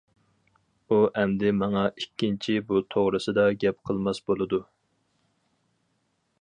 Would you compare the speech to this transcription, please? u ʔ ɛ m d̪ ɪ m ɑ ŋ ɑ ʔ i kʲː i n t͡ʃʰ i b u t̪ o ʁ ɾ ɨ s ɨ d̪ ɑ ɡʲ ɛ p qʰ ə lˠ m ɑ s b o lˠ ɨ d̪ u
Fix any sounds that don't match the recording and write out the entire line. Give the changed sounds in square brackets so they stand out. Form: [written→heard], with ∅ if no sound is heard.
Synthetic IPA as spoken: u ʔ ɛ m d̪ ɪ m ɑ ŋ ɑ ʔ i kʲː i n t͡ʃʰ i b u [t̪→t̪ʰ] o ʁ ɾ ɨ s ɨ d̪ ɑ ɡʲ ɛ p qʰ ə lˠ m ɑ s b o lˠ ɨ d̪ u